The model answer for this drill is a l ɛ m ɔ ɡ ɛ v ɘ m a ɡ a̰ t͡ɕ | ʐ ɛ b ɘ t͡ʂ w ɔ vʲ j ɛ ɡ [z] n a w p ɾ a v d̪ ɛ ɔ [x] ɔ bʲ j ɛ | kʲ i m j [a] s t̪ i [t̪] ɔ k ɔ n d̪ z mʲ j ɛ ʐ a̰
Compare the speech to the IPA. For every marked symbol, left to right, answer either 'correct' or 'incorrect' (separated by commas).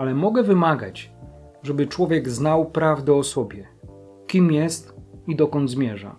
correct, incorrect, incorrect, incorrect